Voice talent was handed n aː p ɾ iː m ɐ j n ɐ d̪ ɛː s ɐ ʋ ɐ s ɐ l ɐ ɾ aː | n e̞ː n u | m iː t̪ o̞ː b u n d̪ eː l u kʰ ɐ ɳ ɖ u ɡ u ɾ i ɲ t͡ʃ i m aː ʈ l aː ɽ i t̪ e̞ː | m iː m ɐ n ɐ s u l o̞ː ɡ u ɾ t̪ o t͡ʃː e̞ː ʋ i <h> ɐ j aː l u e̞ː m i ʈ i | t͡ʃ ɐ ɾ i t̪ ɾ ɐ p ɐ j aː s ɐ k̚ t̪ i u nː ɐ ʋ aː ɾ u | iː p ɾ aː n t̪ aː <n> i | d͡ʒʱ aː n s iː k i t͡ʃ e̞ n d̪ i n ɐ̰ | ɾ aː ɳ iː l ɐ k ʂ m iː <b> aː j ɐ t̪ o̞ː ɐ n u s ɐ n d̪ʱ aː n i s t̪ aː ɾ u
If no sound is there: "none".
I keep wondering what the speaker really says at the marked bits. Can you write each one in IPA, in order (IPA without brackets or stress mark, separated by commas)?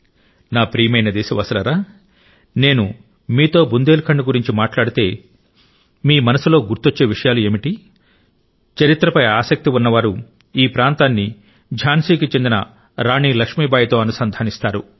ʂ, nː, b